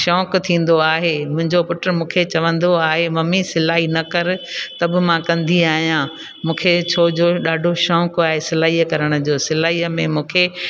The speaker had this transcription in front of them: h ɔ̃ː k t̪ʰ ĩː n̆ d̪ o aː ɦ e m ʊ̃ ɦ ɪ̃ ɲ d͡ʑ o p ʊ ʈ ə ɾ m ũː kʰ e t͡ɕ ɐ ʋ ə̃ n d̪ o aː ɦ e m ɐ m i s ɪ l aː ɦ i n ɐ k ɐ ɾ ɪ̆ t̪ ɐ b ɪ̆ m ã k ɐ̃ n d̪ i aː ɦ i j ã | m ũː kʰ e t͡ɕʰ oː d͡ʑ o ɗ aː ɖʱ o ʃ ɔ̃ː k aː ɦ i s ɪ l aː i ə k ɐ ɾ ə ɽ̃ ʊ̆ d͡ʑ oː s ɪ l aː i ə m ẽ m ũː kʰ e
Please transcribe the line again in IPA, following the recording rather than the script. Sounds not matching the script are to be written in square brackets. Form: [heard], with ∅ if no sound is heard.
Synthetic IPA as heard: [ʃ] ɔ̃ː k t̪ʰ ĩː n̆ d̪ o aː ɦ e m ʊ̃ ɦ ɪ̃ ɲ d͡ʑ o p ʊ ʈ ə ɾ m ũː kʰ e t͡ɕ ɐ ʋ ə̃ n d̪ o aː ɦ e m ɐ m i s ɪ l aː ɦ i n ɐ k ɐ ɾ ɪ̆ t̪ ɐ b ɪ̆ m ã k ɐ̃ n d̪ i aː ɦ i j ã | m ũː kʰ e t͡ɕʰ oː d͡ʑ o ɗ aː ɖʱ o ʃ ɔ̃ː k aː ɦ [e] s ɪ l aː i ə k ɐ ɾ ə ɽ̃ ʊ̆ d͡ʑ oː s ɪ l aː i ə m ẽ m ũː kʰ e

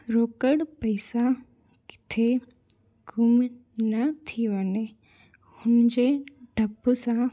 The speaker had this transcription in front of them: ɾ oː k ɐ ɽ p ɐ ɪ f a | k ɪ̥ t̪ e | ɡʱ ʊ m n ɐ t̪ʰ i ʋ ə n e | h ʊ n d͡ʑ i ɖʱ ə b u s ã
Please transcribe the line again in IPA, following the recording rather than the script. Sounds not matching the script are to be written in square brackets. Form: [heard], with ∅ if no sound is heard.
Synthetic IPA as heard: ɾ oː k [ə] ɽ p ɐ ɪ [s] a | k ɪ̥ [t̪ʰ] e | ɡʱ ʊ m n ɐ t̪ʰ i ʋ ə n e | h ʊ n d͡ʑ [e] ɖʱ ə b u s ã

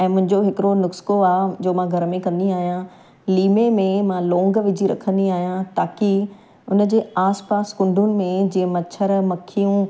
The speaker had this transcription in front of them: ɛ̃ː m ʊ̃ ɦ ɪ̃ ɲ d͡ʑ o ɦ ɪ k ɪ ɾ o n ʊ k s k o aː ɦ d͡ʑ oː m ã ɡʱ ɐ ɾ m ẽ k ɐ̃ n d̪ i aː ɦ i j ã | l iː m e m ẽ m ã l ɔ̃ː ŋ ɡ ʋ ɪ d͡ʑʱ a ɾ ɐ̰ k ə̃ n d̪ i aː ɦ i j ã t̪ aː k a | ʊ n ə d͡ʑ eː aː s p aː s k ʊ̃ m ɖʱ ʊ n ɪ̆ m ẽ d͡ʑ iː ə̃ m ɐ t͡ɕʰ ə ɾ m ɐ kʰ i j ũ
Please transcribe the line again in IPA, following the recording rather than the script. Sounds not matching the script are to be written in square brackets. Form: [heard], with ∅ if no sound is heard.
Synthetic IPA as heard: ɛ̃ː m ʊ̃ ɦ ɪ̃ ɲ d͡ʑ o ɦ ɪ k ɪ ɾ o n ʊ k s k o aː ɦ d͡ʑ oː m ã ɡʱ ɐ ɾ m ẽ k ɐ̃ n d̪ i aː ɦ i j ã | l iː m e m ẽ m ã l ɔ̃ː ŋ ɡ ʋ ɪ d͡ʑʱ [i] ɾ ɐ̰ [kʰ] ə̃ n d̪ i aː ɦ i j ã t̪ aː k [i] | ʊ n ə d͡ʑ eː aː s p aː s k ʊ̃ [ɳ] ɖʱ ʊ n ɪ̆ m ẽ d͡ʑ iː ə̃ m ɐ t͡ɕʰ ə ɾ m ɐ kʰ i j ũ

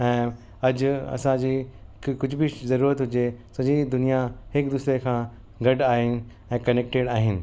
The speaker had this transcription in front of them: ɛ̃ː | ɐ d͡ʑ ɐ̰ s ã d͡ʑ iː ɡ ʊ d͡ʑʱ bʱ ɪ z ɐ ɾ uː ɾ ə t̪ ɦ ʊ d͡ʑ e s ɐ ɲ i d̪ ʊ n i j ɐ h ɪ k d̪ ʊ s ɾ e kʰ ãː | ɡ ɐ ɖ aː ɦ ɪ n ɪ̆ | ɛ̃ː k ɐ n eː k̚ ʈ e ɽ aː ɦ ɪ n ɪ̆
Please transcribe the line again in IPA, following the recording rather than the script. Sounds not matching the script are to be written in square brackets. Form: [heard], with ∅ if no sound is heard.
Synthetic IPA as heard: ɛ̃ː | ɐ d͡ʑ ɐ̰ s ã d͡ʑ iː [k] ʊ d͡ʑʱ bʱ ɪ z ɐ ɾ uː ɾ ə t̪ ɦ ʊ d͡ʑ e s ɐ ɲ i d̪ ʊ n i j [a] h ɪ k d̪ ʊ s ɾ e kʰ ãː | ɡ ɐ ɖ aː ɦ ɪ n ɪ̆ | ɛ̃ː k ɐ n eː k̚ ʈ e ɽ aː ɦ ɪ n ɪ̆

